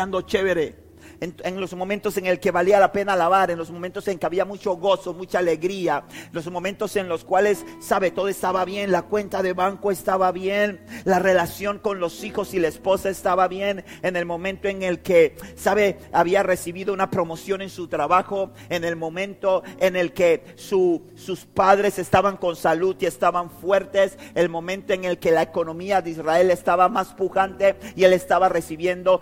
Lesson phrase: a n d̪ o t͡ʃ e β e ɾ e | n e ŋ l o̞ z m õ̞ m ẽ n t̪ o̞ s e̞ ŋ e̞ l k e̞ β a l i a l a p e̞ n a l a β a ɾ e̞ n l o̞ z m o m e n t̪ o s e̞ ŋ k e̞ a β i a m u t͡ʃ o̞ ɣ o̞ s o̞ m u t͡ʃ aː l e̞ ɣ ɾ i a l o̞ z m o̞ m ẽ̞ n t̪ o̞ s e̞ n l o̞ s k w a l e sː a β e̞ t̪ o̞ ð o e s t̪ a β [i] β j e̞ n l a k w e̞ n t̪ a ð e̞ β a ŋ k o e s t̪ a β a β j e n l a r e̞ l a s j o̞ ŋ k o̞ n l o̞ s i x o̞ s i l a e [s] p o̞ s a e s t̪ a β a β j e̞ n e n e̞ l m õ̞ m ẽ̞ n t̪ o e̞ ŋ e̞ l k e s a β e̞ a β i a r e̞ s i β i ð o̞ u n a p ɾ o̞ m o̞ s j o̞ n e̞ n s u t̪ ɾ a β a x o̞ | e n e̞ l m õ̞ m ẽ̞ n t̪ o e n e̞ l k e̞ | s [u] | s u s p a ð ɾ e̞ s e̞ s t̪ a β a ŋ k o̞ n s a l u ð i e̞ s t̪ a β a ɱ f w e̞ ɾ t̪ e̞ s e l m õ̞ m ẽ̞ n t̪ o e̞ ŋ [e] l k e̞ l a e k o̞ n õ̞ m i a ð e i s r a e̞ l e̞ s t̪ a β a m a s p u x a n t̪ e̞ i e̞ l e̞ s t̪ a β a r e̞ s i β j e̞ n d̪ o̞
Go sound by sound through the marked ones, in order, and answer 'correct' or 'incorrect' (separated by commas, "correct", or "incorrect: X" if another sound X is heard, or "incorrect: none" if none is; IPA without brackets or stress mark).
incorrect: a, correct, correct, correct